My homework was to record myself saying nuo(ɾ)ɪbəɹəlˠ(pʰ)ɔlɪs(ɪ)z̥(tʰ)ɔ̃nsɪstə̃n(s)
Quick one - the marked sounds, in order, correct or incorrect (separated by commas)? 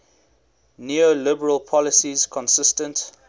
incorrect, correct, incorrect, incorrect, incorrect